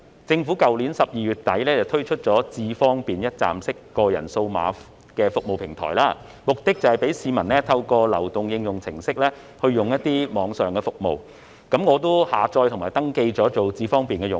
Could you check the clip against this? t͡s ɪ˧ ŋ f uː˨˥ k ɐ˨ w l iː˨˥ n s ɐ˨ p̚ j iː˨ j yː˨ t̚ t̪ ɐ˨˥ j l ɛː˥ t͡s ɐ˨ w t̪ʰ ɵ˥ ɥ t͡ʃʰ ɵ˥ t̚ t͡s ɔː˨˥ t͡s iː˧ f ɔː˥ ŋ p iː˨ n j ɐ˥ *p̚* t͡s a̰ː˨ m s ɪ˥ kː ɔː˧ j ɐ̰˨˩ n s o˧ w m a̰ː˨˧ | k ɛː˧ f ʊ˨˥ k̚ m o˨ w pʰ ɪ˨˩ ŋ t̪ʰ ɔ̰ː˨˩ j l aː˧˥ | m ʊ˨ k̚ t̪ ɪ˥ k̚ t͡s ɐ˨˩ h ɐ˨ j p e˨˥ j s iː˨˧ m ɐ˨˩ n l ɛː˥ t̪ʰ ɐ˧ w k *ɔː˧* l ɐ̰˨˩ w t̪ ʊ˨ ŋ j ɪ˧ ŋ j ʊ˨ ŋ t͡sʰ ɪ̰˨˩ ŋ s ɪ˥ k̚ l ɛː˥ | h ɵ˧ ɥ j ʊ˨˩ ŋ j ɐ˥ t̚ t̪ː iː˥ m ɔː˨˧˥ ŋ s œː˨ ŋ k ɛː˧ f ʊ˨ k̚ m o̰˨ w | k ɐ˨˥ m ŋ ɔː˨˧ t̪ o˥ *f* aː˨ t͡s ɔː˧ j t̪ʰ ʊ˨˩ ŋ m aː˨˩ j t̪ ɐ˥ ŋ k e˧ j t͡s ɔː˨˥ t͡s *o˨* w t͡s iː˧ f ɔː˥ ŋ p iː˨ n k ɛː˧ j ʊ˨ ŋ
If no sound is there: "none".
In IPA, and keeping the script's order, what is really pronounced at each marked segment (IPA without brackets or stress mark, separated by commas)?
t̚, ɔː˧, h, o˨